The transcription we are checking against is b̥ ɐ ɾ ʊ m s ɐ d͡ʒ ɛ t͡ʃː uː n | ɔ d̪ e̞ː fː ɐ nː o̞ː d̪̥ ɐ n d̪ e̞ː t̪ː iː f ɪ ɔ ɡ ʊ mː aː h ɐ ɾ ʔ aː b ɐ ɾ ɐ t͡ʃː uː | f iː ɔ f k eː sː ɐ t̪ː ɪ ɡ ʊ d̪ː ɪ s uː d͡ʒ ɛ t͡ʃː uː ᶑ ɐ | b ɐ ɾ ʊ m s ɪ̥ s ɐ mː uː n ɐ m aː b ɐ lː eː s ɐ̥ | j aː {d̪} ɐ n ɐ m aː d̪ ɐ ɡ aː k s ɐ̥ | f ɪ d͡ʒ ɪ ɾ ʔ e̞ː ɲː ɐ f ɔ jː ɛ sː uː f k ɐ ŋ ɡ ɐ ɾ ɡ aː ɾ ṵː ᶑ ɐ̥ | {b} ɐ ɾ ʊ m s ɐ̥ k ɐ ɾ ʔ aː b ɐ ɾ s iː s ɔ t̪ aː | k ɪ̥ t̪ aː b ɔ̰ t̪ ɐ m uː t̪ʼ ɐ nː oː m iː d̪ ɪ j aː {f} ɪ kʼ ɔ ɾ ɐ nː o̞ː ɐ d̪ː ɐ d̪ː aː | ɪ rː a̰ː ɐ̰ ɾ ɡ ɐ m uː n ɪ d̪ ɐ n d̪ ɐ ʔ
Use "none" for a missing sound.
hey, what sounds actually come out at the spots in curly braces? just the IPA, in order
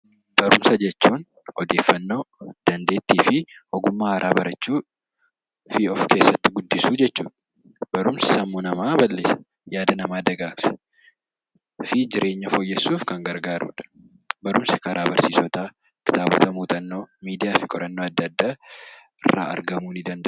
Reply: d̪, b, f

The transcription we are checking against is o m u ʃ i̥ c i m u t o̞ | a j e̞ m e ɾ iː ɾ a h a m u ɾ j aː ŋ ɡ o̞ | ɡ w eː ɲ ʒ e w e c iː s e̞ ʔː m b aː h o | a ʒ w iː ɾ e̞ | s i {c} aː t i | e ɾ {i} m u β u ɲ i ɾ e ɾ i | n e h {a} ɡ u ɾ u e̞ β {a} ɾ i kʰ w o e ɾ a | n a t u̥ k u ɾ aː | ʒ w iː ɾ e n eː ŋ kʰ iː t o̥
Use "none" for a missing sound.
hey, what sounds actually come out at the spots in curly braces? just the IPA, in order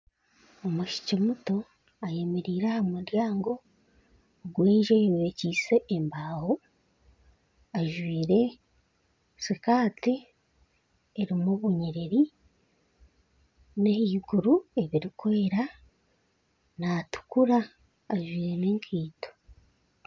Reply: k, i, i, i

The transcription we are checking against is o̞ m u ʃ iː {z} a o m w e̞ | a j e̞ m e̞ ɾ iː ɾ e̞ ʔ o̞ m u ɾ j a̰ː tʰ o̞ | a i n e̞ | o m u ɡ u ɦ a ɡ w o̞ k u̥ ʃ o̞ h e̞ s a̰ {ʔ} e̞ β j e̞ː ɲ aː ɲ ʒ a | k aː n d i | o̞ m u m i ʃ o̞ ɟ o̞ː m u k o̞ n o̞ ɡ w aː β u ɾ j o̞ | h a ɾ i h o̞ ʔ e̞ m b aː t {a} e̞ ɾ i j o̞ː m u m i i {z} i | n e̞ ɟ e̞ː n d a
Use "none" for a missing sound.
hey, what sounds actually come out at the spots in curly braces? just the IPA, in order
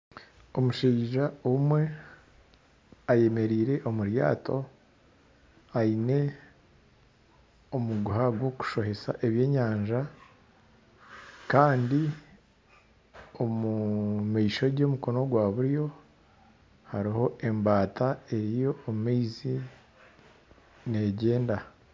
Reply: ʒ, ʔ, a, z

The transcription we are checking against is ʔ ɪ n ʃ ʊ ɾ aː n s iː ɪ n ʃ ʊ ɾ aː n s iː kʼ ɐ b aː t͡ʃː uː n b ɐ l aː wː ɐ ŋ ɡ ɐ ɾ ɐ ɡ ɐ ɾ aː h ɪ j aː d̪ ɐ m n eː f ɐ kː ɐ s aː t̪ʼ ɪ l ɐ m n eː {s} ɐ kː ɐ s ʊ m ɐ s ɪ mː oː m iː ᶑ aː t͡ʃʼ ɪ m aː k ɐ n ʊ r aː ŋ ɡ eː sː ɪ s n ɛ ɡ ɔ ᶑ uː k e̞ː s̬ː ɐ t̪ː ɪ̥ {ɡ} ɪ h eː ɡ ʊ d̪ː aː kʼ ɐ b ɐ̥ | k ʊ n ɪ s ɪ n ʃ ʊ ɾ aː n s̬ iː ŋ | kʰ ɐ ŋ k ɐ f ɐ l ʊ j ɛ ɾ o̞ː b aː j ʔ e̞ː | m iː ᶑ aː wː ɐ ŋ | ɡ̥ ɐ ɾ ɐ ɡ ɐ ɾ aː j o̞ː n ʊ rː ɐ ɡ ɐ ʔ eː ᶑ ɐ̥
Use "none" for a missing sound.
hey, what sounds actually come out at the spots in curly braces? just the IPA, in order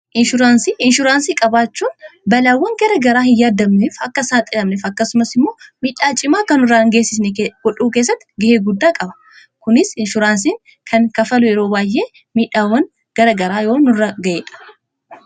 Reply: f, ɡ

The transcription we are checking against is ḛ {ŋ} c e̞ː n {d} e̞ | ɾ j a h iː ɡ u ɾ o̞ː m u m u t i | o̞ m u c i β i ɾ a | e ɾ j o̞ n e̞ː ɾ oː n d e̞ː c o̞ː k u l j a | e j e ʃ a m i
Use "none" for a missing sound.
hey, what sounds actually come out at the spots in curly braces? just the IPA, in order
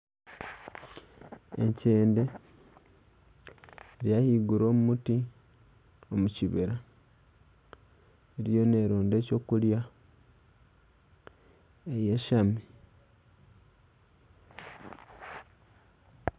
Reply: ɲ, d

